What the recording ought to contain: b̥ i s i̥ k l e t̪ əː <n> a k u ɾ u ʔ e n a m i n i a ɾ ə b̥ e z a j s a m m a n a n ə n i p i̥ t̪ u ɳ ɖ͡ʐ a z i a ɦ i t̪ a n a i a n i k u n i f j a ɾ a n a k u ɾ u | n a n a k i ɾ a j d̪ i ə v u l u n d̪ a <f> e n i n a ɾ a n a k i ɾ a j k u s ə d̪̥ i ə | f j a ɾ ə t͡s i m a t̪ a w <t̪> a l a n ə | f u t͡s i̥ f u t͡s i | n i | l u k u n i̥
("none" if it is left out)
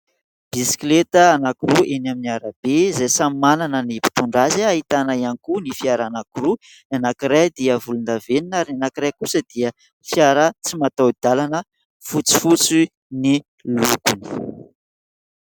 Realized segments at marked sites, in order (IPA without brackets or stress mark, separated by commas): n, v, d̪